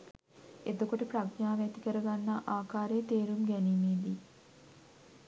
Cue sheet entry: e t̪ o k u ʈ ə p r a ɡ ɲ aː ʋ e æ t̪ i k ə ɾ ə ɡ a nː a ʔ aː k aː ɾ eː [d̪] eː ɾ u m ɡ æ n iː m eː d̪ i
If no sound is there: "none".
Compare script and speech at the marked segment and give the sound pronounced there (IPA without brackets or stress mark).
t̪